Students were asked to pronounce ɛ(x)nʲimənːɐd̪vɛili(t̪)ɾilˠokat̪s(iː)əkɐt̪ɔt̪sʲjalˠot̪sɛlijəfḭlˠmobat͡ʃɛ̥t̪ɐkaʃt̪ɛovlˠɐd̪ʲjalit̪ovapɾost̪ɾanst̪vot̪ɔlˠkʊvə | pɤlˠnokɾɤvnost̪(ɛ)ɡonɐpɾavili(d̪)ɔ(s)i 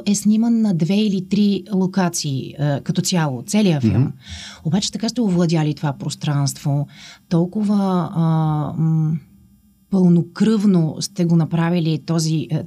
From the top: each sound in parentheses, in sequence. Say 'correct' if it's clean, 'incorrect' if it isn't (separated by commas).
incorrect, correct, correct, correct, incorrect, incorrect